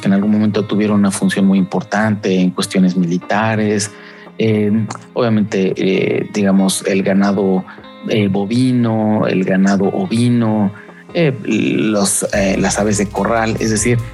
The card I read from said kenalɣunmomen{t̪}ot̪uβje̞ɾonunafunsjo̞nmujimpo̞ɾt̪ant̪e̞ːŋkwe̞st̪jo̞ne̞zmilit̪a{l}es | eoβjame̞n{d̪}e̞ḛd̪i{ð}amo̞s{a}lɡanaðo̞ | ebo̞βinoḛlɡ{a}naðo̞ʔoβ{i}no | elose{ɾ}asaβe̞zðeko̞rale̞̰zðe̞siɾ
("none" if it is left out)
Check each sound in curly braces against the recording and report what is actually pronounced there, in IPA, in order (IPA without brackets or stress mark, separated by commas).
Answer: t̪, ɾ, t̪, ɣ, e, a, i, l